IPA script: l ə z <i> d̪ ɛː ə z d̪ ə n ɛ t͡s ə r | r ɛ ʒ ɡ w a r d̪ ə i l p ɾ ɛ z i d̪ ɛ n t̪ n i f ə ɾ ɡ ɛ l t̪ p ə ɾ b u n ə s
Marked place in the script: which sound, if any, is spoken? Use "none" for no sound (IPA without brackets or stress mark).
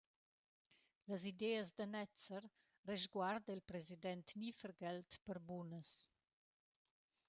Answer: i